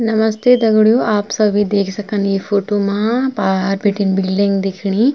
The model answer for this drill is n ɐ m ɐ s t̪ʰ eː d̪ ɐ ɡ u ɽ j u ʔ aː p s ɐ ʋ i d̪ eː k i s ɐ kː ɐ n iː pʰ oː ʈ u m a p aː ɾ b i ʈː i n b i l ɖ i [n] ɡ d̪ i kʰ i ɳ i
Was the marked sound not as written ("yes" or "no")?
yes